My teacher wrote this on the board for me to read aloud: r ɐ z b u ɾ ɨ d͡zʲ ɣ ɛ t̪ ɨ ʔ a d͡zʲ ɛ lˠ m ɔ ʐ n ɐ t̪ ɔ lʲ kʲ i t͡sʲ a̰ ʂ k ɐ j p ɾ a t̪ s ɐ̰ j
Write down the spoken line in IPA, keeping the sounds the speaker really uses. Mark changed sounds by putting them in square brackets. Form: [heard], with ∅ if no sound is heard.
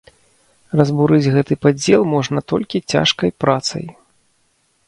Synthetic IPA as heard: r ɐ z b u ɾ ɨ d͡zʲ ɣ ɛ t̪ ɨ [p] a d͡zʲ ɛ lˠ m ɔ ʐ n ɐ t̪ ɔ lʲ kʲ i t͡sʲ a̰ ʂ k ɐ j p ɾ a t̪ s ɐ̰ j

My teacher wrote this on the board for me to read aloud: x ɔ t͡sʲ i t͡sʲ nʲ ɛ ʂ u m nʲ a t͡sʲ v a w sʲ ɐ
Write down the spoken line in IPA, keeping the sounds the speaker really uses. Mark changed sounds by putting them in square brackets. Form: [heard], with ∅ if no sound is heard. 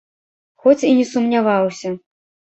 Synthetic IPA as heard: x ɔ t͡sʲ i [∅] nʲ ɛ [s] u m nʲ a [∅] v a w sʲ ɐ

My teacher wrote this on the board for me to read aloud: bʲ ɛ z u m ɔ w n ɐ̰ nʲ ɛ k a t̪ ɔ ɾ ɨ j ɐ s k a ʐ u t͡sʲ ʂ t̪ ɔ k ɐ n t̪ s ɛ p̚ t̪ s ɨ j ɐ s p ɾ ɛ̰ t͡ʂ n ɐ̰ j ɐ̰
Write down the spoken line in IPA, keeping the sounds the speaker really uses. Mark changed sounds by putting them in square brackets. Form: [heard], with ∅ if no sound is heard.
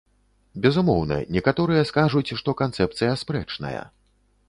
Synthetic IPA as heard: bʲ ɛ z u m ɔ w n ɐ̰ nʲ ɛ k a t̪ ɔ ɾ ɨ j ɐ s k a ʐ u t͡sʲ ʂ t̪ ɔ k [a] n t̪ s ɛ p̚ t̪ s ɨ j ɐ s p ɾ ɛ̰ t͡ʂ n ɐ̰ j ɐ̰

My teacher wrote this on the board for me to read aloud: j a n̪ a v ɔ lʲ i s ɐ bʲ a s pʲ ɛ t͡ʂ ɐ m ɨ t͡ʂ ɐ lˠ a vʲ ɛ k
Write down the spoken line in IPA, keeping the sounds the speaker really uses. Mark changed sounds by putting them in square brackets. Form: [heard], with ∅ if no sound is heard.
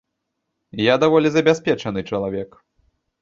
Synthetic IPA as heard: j a [d̪] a v ɔ lʲ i [z] ɐ bʲ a s pʲ ɛ t͡ʂ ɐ [n] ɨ t͡ʂ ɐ lˠ a vʲ ɛ k

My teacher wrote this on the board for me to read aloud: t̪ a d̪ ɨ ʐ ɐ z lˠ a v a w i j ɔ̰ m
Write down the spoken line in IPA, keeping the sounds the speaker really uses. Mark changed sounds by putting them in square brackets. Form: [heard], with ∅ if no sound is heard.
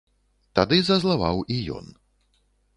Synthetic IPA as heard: t̪ a d̪ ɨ [z] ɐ z lˠ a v a w i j ɔ̰ [n]

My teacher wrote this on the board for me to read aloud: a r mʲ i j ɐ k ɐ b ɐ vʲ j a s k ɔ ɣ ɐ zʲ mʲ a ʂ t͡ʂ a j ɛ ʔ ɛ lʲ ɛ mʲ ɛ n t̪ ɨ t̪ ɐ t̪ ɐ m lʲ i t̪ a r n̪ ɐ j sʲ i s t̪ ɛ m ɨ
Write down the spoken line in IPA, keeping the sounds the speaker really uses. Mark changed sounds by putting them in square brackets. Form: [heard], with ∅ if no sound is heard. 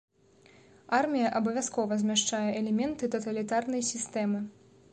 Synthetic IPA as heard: a r mʲ i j ɐ [ʔ] ɐ b ɐ vʲ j a s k ɔ [v] ɐ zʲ mʲ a ʂ t͡ʂ a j ɛ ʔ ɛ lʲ ɛ mʲ ɛ n t̪ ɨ t̪ ɐ t̪ ɐ [∅] lʲ i t̪ a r n̪ ɐ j sʲ i s t̪ ɛ m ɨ

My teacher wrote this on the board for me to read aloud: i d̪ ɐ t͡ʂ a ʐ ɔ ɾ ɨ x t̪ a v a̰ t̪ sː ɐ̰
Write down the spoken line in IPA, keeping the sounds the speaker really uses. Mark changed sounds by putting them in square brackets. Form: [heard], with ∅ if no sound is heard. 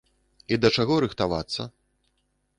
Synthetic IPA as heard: i d̪ ɐ t͡ʂ a [ɣ] ɔ ɾ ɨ x t̪ a v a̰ t̪ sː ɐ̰

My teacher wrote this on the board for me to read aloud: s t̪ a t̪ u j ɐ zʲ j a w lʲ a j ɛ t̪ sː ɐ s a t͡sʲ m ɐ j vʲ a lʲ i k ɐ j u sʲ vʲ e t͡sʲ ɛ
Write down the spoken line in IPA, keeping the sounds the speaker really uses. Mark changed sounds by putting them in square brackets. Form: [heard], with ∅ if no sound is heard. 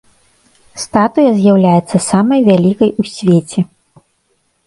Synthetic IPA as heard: s t̪ a t̪ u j ɐ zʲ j a w lʲ a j ɛ t̪ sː ɐ s a [∅] m ɐ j vʲ a lʲ i k ɐ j u sʲ vʲ e t͡sʲ ɛ

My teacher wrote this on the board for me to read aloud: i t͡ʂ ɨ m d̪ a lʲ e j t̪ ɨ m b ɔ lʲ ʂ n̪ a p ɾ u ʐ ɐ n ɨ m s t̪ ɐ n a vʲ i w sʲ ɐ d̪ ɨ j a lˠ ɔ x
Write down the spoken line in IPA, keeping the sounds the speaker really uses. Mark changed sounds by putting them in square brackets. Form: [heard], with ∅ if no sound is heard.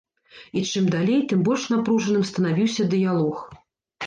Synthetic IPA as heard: i t͡ʂ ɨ m d̪ a lʲ e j t̪ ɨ m b ɔ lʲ ʂ n̪ a p ɾ u ʐ ɐ n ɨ m s t̪ ɐ n a vʲ i w sʲ ɐ d̪ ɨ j a lˠ ɔ x

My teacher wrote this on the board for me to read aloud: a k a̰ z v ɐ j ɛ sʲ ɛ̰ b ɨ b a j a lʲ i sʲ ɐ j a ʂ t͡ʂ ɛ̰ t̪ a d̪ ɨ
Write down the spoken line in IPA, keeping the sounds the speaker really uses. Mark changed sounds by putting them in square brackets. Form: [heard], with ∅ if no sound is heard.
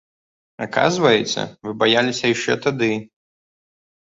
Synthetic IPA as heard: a k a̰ z v ɐ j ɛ [t͡sʲ] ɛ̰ [v] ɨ b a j a lʲ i sʲ ɐ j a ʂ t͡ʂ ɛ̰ t̪ a d̪ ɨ

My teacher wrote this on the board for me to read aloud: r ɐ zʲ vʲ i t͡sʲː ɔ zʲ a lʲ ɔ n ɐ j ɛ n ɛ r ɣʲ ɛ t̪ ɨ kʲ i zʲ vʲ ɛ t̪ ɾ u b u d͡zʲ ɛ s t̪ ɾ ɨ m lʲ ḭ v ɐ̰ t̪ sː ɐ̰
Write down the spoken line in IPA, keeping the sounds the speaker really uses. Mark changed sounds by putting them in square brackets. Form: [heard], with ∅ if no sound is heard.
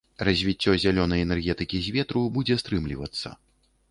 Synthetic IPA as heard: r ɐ zʲ vʲ i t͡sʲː ɔ zʲ a lʲ ɔ n ɐ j ɛ n ɛ r ɣʲ ɛ t̪ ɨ kʲ i zʲ vʲ ɛ t̪ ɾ u b u d͡zʲ ɛ s t̪ ɾ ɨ m lʲ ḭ v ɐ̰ t̪ sː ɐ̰

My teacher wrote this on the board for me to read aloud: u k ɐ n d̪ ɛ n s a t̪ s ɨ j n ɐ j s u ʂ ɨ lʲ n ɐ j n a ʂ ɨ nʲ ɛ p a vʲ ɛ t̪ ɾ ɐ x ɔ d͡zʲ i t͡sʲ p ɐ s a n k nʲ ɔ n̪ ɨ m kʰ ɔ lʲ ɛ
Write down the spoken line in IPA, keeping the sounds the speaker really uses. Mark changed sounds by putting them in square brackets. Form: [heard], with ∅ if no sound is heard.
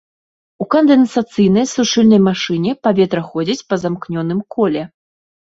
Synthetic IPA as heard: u k ɐ n d̪ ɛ n s a t̪ s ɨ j n ɐ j s u ʂ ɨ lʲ n ɐ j [m] a ʂ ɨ nʲ ɛ p a vʲ ɛ t̪ ɾ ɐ x ɔ d͡zʲ i t͡sʲ p ɐ [z] a [m] k nʲ ɔ n̪ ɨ m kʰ ɔ lʲ ɛ

